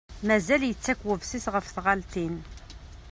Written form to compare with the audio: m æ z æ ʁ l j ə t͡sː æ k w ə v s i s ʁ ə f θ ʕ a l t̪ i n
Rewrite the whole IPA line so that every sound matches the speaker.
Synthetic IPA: m æ z æ l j ə t͡sː æ k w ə v s i s ʁ ə f θ ʁ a l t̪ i n